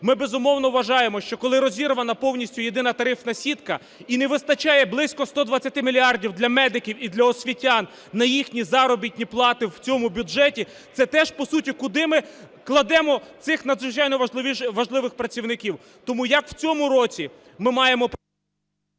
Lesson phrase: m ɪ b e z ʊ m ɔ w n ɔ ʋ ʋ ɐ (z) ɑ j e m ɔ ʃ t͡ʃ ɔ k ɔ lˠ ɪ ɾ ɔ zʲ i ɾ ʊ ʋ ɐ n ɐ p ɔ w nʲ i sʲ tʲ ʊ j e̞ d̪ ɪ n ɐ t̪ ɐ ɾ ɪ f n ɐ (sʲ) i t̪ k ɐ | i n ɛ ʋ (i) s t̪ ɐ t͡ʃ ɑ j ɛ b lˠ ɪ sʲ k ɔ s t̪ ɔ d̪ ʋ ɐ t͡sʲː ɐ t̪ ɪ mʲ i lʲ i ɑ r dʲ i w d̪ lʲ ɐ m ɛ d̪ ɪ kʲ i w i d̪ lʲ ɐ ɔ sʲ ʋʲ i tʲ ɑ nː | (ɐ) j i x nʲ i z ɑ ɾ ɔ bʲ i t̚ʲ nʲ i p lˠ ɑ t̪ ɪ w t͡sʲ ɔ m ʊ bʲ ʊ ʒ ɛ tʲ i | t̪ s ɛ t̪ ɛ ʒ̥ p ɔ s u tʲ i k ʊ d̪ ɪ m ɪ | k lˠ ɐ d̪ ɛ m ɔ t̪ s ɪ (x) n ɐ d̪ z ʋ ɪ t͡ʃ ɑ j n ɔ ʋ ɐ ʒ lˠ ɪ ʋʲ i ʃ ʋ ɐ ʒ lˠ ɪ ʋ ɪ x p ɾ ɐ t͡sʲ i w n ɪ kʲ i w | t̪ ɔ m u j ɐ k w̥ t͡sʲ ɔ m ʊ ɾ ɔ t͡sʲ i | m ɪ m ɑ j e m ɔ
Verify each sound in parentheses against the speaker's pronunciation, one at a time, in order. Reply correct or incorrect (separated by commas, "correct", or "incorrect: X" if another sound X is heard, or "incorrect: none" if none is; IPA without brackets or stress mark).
incorrect: ʒ, correct, incorrect: ɪ, correct, correct